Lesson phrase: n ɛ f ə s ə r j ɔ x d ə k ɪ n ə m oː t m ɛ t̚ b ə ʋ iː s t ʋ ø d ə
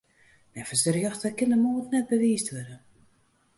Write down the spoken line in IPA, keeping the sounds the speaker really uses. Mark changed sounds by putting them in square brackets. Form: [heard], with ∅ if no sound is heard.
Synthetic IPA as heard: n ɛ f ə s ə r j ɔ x [t] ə k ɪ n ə m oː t [n] ɛ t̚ b ə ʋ iː s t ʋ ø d ə